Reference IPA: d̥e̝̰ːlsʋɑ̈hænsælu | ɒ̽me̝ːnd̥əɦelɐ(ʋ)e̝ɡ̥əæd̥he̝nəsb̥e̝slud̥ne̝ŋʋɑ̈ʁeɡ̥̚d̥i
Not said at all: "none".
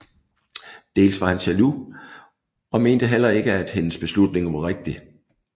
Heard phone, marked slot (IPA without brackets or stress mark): none